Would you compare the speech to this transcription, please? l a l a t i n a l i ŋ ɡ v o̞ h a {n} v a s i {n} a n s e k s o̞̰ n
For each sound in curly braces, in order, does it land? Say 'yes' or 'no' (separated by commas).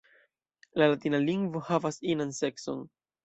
no, yes